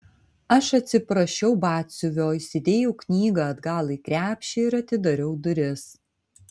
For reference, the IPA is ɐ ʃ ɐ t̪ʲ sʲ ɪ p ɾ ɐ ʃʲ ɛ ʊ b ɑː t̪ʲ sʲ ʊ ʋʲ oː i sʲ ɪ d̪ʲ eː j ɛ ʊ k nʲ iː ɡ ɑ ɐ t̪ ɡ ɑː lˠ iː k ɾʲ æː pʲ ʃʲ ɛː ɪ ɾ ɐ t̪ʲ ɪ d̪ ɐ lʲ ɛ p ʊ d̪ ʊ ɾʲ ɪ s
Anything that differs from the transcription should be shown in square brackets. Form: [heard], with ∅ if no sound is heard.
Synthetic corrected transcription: ɐ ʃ ɐ t̪ʲ sʲ ɪ p ɾ ɐ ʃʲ ɛ ʊ b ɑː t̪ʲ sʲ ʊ ʋʲ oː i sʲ ɪ d̪ʲ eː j ɛ ʊ k nʲ iː ɡ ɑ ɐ [d̪] ɡ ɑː lˠ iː k ɾʲ æː pʲ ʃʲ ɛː ɪ ɾ ɐ t̪ʲ ɪ d̪ ɐ [ɾʲ] ɛ [∅] ʊ d̪ ʊ ɾʲ ɪ s